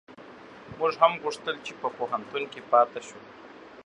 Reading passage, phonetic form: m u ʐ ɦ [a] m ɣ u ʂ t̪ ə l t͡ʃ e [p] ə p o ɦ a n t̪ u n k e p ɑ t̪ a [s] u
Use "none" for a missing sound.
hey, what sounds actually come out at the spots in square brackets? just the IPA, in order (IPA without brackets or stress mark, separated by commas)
a, p, ʃ